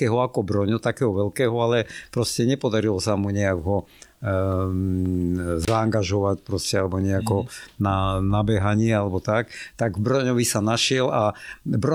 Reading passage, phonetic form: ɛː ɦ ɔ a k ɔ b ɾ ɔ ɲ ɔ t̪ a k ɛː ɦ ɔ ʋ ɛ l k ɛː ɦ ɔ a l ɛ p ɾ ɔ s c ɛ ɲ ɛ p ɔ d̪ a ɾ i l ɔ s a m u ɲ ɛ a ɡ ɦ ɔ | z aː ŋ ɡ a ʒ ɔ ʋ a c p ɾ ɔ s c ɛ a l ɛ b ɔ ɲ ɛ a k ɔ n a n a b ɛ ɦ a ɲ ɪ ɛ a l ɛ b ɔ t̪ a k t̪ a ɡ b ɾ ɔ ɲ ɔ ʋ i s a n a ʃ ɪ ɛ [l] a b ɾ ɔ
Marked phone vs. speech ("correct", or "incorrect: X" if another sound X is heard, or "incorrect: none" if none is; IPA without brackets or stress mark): correct